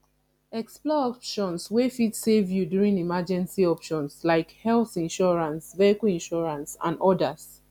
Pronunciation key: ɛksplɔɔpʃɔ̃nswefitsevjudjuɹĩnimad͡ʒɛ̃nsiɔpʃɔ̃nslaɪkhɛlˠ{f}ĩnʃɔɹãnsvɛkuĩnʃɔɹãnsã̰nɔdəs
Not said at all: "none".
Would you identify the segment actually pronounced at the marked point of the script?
θ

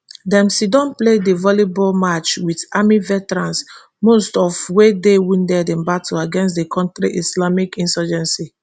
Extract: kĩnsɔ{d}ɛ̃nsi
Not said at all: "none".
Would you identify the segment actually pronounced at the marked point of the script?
d͡ʒ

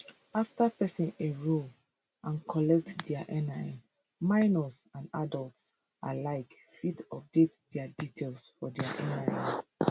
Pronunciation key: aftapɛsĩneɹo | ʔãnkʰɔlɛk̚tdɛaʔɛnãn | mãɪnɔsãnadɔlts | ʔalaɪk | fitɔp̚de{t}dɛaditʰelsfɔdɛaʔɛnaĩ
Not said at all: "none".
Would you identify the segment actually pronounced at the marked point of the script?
t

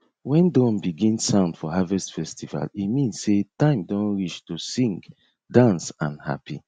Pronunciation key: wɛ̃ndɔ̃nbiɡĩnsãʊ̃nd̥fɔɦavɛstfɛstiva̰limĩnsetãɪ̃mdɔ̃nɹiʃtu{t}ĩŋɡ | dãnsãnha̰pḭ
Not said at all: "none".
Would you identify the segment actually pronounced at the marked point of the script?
s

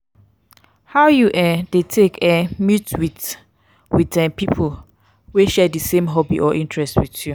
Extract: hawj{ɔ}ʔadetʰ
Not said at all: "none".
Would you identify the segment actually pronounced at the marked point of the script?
u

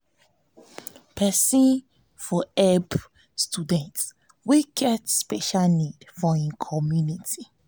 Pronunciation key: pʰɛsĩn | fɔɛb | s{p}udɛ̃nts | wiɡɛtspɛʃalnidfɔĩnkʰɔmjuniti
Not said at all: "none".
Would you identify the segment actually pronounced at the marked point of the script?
t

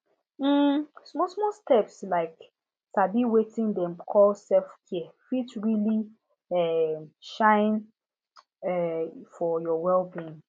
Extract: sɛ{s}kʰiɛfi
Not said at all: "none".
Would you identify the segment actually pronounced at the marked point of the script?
f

